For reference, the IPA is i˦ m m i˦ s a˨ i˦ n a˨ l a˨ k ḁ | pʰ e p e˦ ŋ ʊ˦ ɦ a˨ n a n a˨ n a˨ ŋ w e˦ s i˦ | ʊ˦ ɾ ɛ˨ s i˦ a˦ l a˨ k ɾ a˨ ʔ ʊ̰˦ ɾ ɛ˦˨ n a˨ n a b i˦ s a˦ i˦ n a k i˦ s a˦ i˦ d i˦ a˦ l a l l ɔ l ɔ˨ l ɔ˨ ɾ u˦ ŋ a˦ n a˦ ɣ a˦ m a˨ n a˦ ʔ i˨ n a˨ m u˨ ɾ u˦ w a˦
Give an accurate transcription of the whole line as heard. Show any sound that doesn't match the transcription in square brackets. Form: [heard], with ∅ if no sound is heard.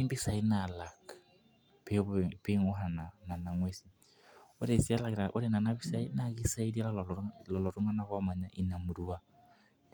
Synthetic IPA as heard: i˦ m [b] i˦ s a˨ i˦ n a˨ l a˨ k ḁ | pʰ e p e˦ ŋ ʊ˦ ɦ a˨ n a n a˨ n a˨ ŋ w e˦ s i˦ | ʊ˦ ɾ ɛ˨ s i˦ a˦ l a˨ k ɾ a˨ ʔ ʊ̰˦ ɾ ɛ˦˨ n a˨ n a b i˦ s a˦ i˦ n a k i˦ s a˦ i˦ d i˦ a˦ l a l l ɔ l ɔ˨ l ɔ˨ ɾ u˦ ŋ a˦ n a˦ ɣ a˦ m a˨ [ɲ] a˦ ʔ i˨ n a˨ m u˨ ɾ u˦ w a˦